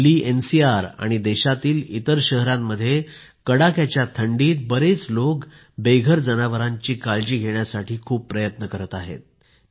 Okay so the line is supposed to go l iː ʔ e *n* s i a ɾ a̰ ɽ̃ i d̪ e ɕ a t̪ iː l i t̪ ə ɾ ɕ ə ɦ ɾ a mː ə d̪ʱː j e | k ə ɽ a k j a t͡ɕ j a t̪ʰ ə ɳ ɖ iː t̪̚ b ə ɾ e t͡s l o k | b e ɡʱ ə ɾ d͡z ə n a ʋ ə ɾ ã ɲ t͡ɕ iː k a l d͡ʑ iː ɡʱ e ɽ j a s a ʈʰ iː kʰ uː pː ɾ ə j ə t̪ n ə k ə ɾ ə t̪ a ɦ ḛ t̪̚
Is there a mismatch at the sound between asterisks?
no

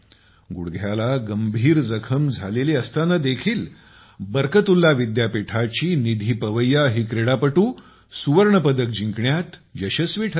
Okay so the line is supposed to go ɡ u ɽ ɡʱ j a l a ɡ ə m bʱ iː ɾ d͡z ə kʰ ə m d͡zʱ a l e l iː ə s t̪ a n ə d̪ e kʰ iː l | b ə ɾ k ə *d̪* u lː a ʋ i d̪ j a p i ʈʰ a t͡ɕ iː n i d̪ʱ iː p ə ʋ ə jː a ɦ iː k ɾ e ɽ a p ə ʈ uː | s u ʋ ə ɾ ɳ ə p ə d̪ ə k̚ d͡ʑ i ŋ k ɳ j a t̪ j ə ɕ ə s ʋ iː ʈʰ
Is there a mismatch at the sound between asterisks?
yes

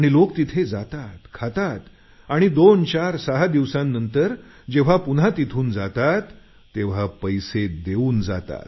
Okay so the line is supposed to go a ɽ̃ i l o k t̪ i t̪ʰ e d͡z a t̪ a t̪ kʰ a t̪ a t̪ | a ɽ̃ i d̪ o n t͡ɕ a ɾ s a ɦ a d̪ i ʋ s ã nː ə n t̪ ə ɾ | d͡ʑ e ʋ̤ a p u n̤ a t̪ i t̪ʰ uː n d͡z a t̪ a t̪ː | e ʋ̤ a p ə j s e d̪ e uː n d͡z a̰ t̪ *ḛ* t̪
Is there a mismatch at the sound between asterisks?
yes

